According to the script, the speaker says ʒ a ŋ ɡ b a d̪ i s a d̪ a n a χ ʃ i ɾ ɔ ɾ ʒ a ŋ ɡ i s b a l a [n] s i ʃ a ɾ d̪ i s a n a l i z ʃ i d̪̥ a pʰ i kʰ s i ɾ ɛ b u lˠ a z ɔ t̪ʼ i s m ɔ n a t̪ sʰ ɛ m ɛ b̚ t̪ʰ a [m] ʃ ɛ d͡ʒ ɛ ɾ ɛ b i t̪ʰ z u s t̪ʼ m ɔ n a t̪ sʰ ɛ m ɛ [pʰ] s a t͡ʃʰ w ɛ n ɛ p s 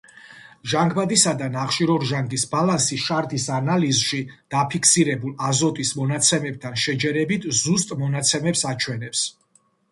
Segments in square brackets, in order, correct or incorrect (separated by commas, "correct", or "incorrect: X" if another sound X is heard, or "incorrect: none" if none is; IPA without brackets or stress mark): correct, incorrect: n, incorrect: p